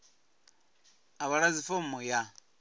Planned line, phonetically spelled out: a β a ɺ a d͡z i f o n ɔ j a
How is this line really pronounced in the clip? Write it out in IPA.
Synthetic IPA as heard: a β a ɺ a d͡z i f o m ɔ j a